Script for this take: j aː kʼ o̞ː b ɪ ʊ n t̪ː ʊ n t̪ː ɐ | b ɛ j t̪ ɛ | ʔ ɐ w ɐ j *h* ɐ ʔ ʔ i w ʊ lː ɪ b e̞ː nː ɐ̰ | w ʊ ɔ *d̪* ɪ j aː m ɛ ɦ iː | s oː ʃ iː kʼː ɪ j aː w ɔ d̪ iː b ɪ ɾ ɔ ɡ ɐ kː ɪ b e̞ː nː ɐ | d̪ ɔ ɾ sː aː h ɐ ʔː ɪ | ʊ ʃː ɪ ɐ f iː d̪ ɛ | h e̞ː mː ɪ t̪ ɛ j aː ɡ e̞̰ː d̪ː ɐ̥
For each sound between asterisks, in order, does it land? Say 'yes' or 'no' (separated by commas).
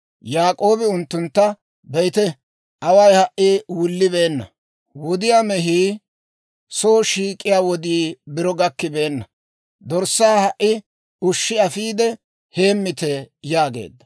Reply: yes, yes